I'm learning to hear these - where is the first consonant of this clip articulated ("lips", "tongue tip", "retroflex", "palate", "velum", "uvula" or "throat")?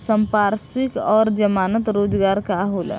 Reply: tongue tip